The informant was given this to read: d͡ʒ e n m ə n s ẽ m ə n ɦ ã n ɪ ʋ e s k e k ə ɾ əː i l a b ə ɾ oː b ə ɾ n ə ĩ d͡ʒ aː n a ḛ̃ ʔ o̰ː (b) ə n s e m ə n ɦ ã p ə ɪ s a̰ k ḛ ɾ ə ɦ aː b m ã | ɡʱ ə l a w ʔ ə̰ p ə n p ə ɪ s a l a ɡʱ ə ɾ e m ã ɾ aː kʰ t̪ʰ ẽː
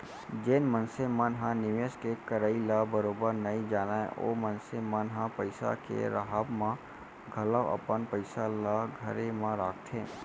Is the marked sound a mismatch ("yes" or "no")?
yes